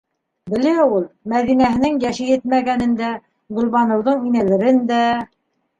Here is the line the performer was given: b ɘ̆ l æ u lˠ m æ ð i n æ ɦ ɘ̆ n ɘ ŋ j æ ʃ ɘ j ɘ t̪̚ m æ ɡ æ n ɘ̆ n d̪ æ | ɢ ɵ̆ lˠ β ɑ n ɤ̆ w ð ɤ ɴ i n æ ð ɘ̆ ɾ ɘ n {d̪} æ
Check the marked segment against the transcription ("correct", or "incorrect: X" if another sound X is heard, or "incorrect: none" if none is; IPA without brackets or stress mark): correct